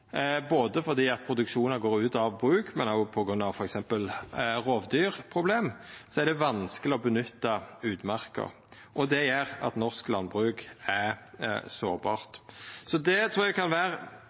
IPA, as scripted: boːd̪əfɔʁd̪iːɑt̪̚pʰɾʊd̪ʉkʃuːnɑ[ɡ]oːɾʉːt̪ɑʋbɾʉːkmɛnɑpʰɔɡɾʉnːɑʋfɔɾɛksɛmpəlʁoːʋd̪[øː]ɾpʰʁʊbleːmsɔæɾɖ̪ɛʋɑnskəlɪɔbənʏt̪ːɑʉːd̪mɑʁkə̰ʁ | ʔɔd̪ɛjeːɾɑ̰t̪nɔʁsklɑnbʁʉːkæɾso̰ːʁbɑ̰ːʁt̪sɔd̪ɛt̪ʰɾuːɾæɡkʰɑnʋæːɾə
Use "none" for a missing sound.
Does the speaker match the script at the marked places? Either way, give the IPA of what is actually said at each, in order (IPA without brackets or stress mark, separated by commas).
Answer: ɡ, yː